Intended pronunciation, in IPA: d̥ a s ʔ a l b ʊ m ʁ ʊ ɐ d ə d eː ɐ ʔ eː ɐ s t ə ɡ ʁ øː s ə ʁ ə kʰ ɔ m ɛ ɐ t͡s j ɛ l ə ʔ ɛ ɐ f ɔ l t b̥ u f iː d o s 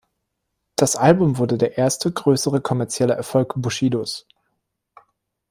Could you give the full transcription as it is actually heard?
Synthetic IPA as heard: d̥ a s ʔ a l b ʊ m v ʊ ɐ d ə d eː ɐ ʔ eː ɐ s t ə ɡ ʁ øː s ə ʁ ə kʰ ɔ m ɛ ɐ t͡s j ɛ l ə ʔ ɛ ɐ f ɔ l k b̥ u ʃ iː d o s